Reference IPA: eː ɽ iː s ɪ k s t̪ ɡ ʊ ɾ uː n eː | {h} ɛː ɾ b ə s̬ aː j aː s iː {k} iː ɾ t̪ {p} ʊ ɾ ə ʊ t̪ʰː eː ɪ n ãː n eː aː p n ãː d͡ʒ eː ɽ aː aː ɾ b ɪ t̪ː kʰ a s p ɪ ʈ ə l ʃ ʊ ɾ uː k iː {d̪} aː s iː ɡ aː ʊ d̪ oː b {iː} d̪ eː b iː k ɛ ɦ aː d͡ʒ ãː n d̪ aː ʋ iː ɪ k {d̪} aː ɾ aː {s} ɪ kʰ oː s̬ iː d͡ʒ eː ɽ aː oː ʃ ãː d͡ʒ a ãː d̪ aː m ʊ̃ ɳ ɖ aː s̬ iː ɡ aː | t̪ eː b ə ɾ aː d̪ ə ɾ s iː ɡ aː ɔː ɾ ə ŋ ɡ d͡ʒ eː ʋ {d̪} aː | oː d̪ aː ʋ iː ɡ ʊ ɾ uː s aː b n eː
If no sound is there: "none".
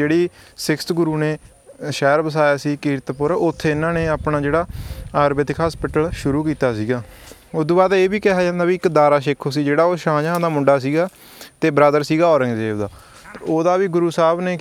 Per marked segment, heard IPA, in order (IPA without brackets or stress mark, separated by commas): ʃ, k, p, t̪, aː, d̪, ʃ, d̪